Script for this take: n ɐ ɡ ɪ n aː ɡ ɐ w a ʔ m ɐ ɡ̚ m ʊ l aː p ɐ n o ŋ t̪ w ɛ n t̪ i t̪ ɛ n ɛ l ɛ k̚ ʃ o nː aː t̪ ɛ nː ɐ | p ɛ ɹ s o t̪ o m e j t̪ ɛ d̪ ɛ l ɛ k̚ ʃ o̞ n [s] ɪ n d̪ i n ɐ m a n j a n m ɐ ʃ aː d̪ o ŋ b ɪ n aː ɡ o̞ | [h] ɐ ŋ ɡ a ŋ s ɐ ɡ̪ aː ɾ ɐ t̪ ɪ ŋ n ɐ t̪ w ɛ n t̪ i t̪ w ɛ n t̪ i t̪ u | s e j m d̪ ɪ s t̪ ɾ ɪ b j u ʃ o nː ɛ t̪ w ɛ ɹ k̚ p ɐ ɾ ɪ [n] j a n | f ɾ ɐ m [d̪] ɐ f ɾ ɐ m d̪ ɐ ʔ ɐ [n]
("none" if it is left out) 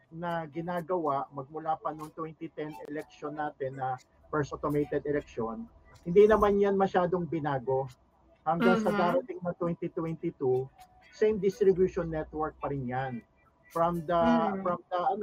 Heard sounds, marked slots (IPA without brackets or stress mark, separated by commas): h, h, n, d̪, n